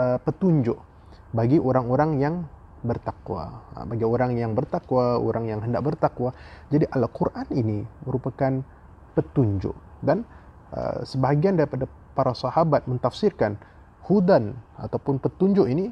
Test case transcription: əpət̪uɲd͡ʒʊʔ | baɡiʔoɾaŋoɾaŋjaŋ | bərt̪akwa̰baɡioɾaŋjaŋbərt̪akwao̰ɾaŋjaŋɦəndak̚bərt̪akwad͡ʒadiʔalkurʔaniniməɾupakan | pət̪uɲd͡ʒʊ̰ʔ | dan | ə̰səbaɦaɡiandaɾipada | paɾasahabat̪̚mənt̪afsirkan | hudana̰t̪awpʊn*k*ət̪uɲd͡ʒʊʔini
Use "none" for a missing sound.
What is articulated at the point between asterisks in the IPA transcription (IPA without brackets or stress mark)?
p